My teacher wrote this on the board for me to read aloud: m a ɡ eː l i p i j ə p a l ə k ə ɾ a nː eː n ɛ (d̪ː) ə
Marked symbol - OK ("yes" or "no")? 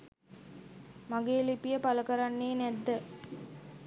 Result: yes